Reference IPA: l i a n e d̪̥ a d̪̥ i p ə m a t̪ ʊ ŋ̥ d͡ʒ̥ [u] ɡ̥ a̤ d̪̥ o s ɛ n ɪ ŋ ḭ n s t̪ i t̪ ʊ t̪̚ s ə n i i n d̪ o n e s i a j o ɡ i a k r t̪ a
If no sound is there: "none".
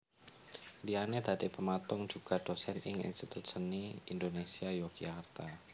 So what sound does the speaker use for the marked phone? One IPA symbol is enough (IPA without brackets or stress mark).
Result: u